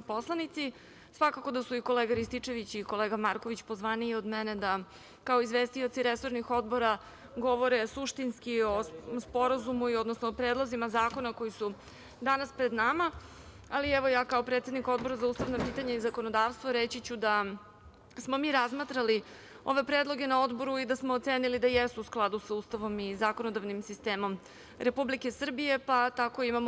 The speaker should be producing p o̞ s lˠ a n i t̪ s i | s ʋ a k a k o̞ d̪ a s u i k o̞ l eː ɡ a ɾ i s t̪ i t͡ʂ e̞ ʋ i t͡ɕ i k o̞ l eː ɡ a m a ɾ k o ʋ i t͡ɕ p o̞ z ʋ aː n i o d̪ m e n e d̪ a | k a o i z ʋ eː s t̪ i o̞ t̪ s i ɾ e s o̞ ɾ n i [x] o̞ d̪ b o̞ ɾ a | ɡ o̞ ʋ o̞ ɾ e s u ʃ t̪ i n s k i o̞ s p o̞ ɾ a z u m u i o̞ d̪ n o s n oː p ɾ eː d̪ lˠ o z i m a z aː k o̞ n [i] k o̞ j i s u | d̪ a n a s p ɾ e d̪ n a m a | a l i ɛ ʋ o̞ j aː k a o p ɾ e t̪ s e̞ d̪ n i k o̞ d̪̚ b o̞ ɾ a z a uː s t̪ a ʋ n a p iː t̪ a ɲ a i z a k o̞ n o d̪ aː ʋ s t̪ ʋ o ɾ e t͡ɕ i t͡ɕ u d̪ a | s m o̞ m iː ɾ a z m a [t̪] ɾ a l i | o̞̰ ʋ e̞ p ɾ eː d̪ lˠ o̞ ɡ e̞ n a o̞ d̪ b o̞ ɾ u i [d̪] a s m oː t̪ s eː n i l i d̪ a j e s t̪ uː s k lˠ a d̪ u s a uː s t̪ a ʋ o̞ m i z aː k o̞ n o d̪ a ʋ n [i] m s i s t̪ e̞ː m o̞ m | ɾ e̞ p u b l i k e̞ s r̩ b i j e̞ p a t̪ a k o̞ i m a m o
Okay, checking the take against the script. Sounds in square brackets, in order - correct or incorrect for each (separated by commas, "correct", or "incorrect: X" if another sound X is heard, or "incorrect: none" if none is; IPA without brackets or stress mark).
correct, incorrect: a, correct, correct, correct